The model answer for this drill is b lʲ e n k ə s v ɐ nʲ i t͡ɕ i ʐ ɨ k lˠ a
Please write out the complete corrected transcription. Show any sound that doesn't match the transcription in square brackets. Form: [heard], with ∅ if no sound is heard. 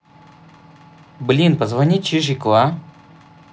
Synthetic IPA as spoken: b lʲ [i] n [p] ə [z] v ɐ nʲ i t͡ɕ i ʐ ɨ k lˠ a